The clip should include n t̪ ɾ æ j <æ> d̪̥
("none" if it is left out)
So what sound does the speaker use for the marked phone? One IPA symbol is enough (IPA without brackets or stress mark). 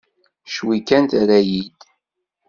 i